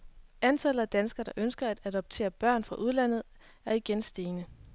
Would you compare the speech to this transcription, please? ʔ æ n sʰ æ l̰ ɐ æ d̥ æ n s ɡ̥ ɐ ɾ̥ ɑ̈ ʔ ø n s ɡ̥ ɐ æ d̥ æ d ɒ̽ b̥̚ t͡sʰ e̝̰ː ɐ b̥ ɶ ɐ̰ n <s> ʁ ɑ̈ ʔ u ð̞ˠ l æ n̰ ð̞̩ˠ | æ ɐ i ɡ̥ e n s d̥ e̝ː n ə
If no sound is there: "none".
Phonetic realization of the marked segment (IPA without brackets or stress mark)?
f